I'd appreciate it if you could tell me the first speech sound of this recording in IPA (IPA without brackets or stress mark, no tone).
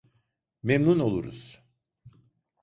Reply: m